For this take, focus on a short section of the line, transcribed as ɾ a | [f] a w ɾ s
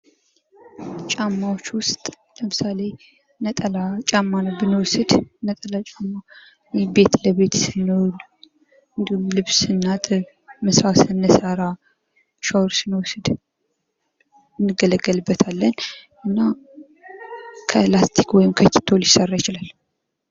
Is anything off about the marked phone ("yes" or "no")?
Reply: yes